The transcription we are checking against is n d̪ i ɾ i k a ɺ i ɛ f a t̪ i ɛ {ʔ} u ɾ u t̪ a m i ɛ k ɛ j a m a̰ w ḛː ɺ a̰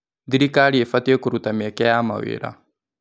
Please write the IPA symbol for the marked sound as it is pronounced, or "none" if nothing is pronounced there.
k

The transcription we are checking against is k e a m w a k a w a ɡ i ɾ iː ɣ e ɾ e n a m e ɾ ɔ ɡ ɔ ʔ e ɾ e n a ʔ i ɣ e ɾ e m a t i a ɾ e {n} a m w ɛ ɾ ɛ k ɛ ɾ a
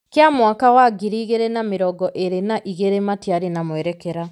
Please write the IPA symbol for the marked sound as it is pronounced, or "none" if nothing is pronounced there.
n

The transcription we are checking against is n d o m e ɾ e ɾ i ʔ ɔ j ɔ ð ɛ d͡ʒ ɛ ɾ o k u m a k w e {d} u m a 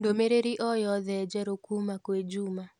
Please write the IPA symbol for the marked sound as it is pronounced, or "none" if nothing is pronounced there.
d͡ʒ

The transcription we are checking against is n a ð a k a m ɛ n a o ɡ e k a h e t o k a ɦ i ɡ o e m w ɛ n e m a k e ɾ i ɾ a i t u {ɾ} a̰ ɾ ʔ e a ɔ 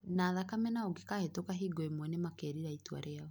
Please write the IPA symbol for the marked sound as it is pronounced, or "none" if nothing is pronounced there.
none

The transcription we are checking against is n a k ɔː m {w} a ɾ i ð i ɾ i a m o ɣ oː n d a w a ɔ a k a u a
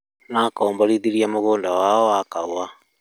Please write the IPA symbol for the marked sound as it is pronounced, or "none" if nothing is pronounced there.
b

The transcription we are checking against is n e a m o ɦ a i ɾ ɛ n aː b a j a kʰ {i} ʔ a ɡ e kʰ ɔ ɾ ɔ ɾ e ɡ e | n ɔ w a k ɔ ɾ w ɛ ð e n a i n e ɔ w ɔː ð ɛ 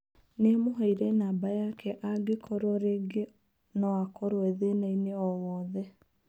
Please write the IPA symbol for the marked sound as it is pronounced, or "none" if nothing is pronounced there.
ɛ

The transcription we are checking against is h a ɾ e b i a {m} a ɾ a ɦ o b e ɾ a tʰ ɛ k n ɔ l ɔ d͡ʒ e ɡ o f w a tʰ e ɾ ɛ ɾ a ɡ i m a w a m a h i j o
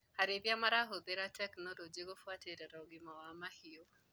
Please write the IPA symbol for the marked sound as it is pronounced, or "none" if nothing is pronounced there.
m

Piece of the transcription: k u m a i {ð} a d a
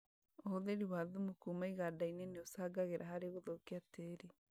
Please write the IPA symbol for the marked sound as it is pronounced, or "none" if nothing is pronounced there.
ɣ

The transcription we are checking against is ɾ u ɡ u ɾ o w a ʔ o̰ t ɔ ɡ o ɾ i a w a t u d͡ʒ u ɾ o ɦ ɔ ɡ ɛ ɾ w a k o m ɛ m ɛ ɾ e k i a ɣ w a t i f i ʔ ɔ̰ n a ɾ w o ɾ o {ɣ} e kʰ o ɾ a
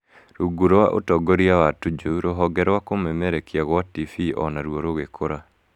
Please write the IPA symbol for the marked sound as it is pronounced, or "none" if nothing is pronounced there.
ɣ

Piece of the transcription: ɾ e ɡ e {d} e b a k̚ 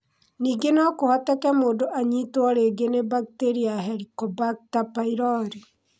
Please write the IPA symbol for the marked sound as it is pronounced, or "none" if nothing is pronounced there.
n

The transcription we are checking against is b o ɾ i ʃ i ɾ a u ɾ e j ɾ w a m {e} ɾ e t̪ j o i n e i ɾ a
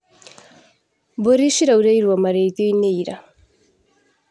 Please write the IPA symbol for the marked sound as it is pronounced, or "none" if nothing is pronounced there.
a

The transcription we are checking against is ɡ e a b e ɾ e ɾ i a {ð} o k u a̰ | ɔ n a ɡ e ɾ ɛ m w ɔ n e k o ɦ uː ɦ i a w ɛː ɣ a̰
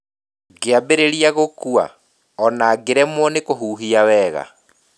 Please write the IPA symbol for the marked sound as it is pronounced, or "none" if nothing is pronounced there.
ɣ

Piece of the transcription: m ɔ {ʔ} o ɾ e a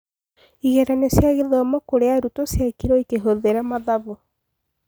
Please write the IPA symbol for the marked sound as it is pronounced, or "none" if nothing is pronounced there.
k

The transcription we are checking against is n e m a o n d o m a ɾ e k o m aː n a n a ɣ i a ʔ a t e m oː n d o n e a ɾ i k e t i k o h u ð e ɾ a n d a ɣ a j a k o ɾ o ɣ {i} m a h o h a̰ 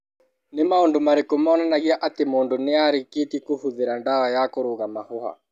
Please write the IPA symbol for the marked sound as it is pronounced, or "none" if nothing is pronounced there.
a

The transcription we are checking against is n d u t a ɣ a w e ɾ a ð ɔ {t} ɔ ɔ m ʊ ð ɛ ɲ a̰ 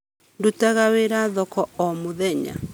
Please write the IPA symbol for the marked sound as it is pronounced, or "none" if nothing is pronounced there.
k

